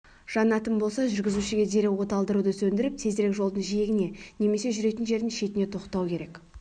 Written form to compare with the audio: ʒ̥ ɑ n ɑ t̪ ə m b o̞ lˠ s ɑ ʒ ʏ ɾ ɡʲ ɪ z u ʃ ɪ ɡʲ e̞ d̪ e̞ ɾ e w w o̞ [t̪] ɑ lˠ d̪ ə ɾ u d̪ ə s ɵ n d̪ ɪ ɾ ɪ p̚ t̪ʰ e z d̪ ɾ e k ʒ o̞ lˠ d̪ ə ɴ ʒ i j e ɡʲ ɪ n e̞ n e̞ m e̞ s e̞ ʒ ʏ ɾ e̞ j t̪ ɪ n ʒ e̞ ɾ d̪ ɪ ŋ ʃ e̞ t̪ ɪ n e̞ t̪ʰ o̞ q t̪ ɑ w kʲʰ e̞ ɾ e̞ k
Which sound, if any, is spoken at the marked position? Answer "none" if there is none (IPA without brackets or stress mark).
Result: t̪